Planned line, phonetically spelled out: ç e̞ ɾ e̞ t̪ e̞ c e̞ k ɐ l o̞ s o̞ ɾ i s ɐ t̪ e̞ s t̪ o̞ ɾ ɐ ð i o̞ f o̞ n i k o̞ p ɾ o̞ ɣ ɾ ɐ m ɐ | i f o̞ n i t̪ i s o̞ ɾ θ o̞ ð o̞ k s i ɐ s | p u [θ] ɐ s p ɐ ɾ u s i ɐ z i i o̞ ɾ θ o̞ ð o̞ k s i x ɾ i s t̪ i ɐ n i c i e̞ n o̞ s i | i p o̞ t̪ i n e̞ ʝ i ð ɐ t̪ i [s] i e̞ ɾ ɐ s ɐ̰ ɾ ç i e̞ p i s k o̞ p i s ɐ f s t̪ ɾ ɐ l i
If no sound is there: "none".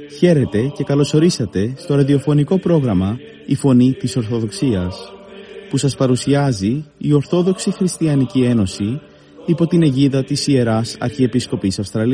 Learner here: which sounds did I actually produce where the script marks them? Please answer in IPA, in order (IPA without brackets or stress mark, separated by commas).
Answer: s, s